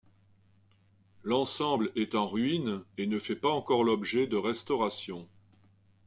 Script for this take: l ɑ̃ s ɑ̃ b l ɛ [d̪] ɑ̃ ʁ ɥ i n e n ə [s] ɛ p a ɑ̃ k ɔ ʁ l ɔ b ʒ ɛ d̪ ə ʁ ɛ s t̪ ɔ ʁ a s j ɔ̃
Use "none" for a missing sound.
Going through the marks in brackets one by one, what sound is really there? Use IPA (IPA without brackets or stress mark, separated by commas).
t̪, f